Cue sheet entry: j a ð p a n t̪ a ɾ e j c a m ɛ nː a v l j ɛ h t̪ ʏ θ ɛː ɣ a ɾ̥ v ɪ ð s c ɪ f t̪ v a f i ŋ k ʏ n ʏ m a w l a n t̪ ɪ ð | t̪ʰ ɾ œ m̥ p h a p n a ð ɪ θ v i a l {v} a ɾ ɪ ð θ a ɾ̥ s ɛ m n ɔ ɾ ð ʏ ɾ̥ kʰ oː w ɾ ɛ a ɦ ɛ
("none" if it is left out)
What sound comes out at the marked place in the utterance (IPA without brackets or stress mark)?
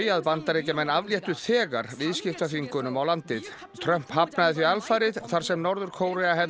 f